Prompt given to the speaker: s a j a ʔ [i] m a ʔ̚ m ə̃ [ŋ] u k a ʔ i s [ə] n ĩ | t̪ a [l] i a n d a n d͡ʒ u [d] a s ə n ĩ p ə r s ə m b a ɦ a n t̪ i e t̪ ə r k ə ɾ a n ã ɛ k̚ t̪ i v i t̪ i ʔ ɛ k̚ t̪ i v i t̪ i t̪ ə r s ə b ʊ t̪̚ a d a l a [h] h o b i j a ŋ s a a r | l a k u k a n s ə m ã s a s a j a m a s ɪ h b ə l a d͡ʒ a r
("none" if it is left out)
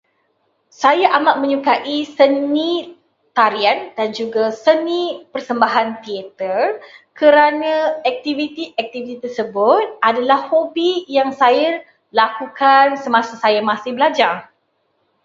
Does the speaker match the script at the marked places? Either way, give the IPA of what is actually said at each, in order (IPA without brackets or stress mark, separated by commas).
a, ɲ, ə, ɾ, ɡ, h